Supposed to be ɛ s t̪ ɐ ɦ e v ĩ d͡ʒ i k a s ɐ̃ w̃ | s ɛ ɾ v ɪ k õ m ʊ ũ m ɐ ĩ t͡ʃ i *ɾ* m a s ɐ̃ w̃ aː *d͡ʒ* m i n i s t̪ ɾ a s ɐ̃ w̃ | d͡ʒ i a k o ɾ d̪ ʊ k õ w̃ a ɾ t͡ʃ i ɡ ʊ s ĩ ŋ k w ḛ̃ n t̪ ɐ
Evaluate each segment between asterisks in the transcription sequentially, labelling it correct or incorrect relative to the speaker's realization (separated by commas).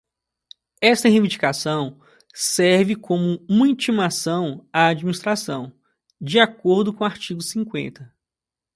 incorrect, correct